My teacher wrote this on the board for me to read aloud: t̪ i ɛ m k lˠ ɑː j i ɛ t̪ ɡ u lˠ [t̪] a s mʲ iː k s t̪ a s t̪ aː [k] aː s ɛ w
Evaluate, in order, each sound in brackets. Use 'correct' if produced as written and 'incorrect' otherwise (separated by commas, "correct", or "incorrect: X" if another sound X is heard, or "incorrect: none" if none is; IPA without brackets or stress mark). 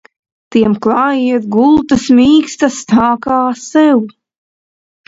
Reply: correct, correct